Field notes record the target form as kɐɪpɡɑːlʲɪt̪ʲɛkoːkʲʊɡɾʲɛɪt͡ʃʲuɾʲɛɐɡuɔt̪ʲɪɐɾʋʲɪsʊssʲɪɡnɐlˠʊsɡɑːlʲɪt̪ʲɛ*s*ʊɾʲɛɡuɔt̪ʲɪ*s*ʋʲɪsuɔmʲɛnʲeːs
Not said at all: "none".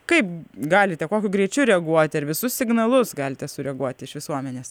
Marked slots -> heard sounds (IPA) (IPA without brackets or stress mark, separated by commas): s, ʃ